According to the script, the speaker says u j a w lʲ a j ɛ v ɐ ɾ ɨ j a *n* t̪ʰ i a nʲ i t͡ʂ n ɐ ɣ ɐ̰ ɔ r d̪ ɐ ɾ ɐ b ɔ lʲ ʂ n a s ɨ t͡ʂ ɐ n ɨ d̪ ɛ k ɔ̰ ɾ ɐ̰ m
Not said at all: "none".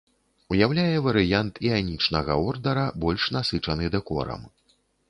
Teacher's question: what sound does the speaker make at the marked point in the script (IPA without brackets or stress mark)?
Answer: n